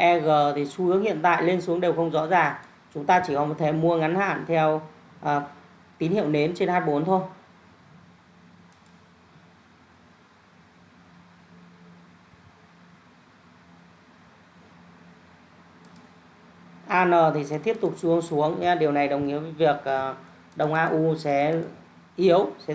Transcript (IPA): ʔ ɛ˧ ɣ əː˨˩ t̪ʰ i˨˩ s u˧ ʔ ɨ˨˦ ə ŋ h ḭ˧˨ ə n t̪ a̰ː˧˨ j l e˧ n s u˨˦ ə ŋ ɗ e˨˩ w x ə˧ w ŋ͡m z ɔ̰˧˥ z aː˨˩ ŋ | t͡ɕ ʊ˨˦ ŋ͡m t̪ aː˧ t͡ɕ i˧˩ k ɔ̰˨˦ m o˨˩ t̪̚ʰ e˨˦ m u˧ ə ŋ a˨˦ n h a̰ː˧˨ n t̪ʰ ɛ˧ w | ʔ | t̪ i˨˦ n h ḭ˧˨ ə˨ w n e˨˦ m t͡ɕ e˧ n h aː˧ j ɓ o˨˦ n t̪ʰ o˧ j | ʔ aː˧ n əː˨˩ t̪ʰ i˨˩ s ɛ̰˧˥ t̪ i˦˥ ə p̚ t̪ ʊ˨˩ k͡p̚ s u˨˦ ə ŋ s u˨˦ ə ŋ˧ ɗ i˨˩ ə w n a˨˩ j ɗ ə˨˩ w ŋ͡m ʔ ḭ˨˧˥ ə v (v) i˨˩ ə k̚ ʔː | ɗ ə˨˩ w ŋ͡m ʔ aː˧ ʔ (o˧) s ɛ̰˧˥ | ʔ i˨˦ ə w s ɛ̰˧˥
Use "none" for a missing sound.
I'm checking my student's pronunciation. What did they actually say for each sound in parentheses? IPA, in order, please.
v, u˧

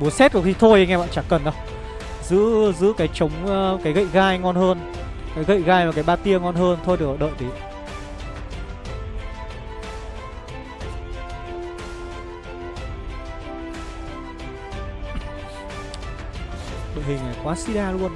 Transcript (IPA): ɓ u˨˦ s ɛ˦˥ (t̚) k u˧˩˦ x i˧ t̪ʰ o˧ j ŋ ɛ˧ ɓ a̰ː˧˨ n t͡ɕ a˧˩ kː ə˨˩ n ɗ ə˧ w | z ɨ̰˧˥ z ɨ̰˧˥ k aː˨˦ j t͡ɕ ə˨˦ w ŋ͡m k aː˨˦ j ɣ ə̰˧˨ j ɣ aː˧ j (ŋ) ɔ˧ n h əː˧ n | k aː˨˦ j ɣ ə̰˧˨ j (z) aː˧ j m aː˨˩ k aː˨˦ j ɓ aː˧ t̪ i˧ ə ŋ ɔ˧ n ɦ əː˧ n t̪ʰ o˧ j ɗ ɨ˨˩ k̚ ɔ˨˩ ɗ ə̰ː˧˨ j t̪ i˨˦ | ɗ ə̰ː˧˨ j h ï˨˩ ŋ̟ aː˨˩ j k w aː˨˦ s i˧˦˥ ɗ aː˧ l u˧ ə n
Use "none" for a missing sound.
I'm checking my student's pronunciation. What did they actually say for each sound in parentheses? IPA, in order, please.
t̚, ŋ, ɣ

